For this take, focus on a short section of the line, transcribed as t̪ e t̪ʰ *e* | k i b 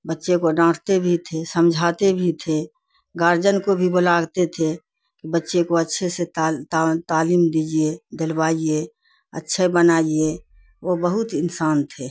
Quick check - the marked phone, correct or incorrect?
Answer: correct